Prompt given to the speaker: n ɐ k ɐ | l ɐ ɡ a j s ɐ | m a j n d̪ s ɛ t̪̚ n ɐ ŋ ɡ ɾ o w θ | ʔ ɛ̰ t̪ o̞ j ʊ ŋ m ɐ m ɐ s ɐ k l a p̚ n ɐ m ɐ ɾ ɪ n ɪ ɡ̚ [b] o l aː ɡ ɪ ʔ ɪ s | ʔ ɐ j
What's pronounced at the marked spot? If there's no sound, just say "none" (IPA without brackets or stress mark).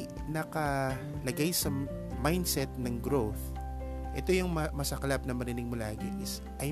m